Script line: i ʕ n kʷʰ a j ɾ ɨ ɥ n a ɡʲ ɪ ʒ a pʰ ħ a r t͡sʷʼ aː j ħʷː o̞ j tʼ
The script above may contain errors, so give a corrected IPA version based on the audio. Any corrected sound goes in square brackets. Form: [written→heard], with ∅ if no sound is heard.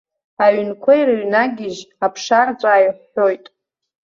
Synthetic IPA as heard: [i→a] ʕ n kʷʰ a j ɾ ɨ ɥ n a ɡʲ ɪ ʒ a pʰ [ħ→ʂ] a r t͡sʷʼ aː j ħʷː o̞ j tʼ